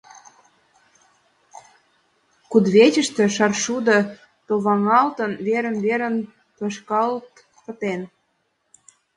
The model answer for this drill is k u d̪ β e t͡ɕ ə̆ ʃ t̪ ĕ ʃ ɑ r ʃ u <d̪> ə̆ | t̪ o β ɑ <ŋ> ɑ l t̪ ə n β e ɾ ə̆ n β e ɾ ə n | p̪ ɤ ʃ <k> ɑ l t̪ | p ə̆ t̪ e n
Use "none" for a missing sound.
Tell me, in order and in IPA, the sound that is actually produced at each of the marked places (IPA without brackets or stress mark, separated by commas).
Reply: d̪, ŋ, k